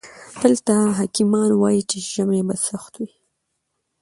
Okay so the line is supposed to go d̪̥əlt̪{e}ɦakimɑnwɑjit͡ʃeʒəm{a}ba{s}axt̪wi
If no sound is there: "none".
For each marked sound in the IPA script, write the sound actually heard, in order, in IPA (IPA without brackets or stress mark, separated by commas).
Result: a, e, s